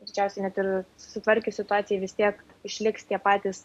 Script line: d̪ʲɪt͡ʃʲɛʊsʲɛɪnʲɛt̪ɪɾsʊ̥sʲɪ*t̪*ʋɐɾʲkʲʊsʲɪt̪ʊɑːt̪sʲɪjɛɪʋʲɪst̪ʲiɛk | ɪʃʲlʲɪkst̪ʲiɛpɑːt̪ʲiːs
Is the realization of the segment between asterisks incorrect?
no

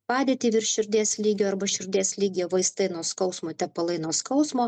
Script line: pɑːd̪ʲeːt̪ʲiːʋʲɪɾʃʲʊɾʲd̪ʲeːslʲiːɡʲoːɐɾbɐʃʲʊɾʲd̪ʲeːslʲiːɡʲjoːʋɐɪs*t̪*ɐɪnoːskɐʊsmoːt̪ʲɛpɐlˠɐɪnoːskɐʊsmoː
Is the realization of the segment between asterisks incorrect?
no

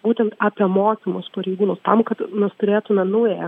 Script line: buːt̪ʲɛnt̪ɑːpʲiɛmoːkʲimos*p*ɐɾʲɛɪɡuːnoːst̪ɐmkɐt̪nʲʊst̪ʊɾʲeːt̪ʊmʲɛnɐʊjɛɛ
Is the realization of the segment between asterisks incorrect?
no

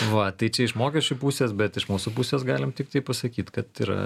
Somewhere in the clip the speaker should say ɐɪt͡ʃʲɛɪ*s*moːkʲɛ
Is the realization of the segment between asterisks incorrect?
yes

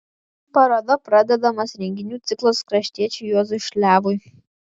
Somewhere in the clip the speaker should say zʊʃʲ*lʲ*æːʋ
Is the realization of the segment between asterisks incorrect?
no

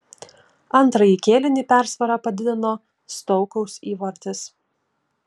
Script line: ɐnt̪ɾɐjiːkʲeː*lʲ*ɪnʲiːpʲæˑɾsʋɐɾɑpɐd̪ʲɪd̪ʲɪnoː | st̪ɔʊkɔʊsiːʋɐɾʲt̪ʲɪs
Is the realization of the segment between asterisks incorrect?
no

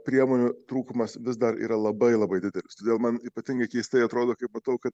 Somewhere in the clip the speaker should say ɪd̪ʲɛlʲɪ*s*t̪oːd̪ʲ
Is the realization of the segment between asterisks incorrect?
no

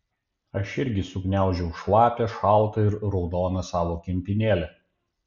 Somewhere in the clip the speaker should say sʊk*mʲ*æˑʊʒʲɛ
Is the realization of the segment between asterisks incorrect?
yes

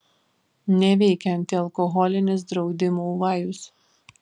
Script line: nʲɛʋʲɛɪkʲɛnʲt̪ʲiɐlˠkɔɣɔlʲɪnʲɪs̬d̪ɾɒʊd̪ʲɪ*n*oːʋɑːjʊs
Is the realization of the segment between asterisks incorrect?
yes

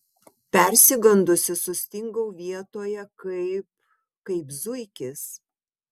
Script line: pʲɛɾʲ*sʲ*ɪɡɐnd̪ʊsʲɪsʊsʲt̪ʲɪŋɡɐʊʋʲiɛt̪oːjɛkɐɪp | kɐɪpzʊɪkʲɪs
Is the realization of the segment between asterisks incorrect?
no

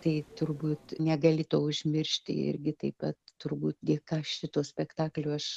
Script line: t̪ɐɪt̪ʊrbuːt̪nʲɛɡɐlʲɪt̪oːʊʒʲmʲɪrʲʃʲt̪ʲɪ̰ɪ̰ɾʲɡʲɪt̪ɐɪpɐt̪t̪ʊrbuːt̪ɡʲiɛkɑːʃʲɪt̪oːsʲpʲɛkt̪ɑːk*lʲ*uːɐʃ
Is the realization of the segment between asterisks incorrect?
no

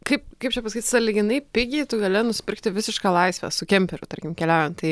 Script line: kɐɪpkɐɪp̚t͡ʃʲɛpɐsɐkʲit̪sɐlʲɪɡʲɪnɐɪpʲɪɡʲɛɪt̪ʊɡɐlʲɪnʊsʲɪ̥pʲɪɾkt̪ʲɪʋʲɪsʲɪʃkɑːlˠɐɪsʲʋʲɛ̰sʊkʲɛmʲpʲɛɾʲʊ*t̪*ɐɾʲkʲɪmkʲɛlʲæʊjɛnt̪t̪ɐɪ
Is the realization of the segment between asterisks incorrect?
no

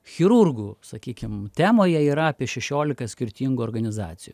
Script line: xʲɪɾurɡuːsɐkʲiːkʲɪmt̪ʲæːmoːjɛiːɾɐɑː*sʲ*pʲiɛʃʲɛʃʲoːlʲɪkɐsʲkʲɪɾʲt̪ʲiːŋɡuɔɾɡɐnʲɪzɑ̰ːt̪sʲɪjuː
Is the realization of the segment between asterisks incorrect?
yes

